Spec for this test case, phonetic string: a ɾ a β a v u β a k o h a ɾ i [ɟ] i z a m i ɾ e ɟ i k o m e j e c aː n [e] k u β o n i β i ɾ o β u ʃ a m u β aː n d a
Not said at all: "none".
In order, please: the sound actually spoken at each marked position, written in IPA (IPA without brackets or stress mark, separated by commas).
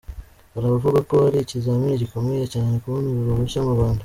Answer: c, e